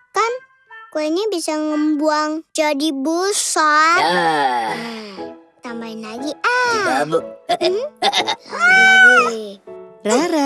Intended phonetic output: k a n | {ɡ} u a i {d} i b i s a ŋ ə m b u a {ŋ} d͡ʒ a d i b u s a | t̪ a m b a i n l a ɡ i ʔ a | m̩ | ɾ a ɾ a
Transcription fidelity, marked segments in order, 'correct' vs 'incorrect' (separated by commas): incorrect, incorrect, correct